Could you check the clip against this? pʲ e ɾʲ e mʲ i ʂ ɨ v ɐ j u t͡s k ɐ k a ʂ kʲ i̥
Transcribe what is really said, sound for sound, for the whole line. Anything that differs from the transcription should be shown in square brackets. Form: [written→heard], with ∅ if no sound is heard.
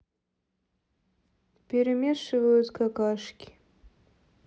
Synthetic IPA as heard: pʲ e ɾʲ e mʲ [i→e] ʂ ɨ v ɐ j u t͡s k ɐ k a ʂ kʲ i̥